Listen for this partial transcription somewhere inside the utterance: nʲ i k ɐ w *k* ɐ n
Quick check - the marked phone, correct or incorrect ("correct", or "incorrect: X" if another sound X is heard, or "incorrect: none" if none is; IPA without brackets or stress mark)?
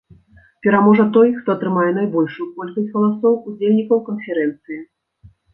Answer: correct